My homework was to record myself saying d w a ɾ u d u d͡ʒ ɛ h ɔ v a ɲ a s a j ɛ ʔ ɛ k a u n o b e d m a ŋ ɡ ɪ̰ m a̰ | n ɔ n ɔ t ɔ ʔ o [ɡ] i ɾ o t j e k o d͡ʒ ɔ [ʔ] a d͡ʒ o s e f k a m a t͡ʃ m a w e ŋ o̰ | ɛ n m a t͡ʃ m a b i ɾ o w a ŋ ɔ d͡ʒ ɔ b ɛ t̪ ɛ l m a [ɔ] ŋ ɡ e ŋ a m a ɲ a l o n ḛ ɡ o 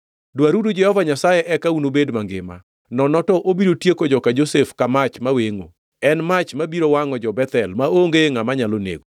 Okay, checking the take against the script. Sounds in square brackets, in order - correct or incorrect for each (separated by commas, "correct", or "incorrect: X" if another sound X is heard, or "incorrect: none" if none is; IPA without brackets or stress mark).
incorrect: b, incorrect: k, incorrect: o